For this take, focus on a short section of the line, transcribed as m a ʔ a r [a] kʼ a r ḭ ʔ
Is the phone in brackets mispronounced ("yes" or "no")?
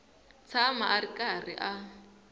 yes